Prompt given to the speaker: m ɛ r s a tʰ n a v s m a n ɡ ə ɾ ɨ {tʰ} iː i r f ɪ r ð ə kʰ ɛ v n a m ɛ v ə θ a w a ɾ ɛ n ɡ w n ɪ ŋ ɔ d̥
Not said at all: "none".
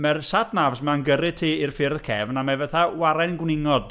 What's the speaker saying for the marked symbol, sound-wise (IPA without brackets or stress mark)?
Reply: tʰ